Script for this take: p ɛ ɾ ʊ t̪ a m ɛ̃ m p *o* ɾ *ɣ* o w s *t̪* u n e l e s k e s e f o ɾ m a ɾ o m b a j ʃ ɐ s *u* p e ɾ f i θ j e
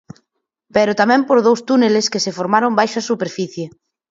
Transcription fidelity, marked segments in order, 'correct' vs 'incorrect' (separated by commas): correct, incorrect, correct, correct